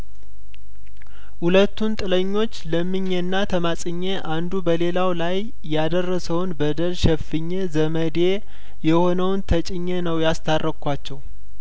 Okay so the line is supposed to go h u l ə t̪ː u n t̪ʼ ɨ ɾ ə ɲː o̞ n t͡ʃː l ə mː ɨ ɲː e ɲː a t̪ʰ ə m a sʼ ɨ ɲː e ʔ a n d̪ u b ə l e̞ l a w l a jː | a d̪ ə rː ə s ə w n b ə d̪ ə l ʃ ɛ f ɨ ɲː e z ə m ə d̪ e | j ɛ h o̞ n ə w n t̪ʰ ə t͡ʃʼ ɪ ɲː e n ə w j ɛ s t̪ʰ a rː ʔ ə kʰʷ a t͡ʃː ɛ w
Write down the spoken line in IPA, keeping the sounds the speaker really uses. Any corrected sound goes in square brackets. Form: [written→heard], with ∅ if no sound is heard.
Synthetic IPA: h u l ə t̪ː u n t̪ʼ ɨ [ɾ→l] ə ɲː o̞ [n→∅] t͡ʃː l ə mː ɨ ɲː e [ɲː→nː] a t̪ʰ ə m a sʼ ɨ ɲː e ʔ a n d̪ u b ə l e̞ l a w l a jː | a d̪ ə rː ə s ə w n b ə d̪ ə l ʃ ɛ f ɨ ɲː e z ə m ə d̪ e | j ɛ h o̞ n ə w n t̪ʰ ə t͡ʃʼ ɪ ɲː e n ə w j [ɛ→a] s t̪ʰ a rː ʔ ə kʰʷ a t͡ʃː ɛ w